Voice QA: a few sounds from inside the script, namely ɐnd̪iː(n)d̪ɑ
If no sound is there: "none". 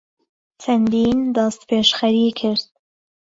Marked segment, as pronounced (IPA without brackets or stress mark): n